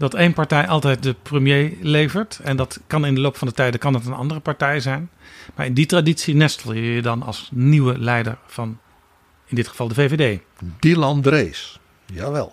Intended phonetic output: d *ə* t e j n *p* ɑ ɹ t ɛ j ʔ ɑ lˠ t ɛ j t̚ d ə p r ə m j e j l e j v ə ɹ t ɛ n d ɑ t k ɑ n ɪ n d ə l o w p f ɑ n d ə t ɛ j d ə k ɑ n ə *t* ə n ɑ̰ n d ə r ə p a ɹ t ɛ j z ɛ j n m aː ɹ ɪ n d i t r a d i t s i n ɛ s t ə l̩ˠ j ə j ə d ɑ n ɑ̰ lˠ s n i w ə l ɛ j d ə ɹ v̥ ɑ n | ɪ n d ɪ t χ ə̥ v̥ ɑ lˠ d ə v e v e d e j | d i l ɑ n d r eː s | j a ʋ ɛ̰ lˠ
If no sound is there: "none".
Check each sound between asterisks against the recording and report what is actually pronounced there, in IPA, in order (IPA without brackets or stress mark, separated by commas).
ɑ, p, t